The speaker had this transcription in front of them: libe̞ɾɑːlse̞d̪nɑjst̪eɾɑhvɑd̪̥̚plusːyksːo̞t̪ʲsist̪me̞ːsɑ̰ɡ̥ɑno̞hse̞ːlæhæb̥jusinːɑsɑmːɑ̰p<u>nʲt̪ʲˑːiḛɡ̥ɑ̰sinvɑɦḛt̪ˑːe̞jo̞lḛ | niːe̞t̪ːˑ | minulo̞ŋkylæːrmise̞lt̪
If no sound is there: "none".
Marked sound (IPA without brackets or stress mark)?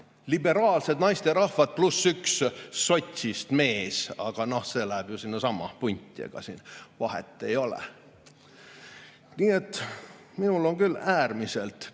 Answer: u